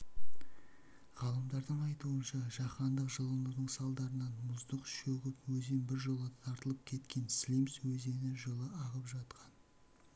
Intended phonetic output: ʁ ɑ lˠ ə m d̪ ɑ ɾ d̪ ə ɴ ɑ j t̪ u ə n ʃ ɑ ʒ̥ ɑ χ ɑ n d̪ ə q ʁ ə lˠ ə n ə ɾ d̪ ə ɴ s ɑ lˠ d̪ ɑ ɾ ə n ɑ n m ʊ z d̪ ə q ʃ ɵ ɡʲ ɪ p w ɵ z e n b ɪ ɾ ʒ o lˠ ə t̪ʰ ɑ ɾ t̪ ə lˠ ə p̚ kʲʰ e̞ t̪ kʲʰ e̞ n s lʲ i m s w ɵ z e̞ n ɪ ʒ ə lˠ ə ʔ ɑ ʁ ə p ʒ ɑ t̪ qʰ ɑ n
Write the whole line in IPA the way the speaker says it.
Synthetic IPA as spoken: ʁ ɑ lˠ ə m d̪ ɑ ɾ d̪ ə ɴ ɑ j t̪ u ə n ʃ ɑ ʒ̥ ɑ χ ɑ n d̪ ə q ʒ ə lˠ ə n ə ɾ d̪ ə ɴ s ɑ lˠ d̪ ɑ ɾ ə n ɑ n m ʊ z d̪ ə q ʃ ɵ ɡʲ ɪ p w ɵ z e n b ɪ ɾ ʒ o lˠ ə t̪ʰ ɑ ɾ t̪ ə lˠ ə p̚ kʲʰ e̞ t̪ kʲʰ e̞ n s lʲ i m s w ɵ z e̞ n ɪ ʒ ə lˠ ə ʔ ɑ ʁ ə p ʒ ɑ t̪ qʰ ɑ n